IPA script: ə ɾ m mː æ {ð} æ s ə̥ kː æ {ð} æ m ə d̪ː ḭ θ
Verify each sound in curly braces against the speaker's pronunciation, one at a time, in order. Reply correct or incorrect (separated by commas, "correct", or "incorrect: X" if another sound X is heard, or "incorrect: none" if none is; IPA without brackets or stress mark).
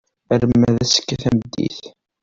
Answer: correct, incorrect: θ